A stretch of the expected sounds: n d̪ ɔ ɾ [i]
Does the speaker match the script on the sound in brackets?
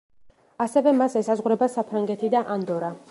no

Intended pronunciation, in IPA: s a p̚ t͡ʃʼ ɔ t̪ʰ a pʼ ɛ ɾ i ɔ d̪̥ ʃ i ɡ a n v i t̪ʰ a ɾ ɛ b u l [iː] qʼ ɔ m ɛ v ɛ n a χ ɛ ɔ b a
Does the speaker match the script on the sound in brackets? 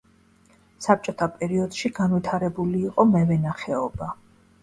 yes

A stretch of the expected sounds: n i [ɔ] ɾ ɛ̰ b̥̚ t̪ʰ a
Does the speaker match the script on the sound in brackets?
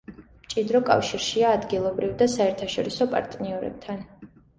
yes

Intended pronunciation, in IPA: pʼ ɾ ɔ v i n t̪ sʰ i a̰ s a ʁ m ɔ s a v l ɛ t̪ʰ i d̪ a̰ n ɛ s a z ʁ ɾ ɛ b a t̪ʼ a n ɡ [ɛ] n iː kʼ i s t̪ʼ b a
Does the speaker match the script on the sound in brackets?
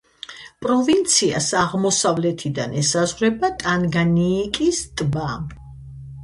no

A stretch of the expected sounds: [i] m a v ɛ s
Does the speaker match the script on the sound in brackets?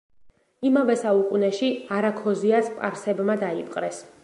yes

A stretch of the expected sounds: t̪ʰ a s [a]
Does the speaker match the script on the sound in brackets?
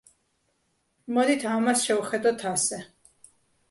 no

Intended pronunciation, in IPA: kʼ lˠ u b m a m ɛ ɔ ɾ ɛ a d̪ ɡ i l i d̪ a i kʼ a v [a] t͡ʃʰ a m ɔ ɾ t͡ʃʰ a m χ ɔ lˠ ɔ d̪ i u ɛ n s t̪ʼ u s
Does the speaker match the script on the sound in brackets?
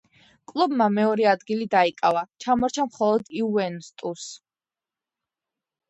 yes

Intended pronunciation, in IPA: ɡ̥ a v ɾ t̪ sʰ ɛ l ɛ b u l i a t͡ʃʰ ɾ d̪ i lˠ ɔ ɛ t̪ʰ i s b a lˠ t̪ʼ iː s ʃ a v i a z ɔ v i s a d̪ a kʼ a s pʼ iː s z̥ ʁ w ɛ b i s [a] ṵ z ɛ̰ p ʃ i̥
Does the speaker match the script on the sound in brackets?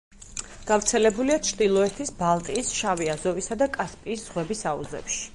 yes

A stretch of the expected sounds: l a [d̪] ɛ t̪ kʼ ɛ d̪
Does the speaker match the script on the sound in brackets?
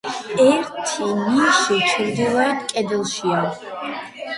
no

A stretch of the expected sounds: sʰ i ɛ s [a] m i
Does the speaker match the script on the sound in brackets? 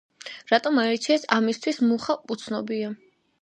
yes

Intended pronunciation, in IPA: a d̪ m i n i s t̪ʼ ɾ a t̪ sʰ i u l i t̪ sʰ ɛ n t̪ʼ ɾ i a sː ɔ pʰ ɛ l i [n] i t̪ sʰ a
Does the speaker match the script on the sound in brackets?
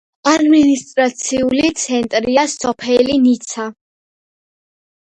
yes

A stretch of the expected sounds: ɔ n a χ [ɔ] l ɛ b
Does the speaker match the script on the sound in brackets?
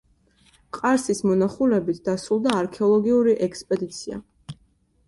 no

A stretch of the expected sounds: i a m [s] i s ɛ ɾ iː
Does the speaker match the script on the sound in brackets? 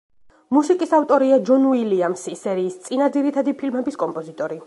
yes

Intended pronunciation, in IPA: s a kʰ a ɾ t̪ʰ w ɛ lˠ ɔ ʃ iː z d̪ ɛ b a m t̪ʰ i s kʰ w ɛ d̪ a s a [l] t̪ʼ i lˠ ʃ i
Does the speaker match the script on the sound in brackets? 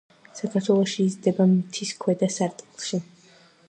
no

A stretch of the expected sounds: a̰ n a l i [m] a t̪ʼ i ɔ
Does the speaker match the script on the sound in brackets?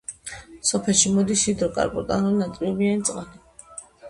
no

